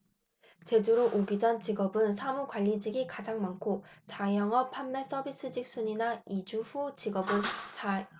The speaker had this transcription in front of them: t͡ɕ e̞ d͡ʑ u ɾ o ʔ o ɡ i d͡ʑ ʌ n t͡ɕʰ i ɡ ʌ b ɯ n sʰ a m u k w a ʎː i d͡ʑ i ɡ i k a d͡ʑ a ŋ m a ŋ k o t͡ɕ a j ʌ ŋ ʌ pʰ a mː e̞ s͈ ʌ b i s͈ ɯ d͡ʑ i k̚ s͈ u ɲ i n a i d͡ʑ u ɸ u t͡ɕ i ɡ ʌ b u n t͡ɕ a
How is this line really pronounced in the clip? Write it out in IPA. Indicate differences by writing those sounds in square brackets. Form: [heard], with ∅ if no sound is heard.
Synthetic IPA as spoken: t͡ɕ e̞ d͡ʑ u ɾ o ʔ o ɡ i d͡ʑ ʌ n [t͡ɕ] i ɡ ʌ b ɯ n sʰ a m u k w a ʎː i d͡ʑ i ɡ i k a d͡ʑ a ŋ m a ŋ [kʰ] o t͡ɕ a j ʌ ŋ ʌ pʰ a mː e̞ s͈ ʌ b i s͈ ɯ d͡ʑ i k̚ s͈ u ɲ i n a i d͡ʑ u ɸ u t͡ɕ i ɡ ʌ b [ɯ] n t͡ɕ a